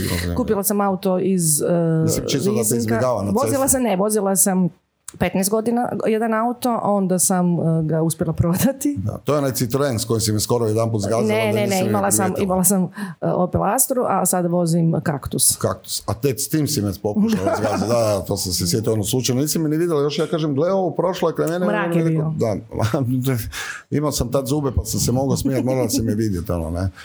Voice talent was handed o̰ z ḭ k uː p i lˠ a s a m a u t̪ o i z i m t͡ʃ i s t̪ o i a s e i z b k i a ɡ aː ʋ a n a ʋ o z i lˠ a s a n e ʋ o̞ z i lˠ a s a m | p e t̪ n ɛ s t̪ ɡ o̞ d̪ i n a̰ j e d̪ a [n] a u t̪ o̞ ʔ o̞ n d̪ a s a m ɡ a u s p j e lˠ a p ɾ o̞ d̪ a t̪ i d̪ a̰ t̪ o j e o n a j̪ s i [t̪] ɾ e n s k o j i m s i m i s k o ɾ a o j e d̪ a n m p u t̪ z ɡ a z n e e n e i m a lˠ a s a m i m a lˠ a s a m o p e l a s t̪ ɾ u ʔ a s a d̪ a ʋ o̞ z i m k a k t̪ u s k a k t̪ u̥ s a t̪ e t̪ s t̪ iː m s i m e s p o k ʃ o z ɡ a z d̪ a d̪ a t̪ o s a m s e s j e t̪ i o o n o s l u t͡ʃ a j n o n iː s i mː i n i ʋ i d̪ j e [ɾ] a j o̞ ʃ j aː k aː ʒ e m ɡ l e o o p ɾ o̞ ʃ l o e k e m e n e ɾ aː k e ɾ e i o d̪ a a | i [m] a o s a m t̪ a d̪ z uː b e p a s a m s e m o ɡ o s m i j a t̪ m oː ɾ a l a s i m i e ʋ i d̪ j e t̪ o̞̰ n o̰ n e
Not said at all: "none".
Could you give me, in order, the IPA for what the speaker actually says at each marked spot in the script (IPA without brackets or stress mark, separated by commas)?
n, t̪, l, m